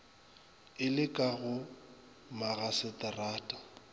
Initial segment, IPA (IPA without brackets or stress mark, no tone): ɪ